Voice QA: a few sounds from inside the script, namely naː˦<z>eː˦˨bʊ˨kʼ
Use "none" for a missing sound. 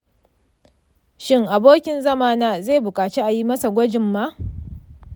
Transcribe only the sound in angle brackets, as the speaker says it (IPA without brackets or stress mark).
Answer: z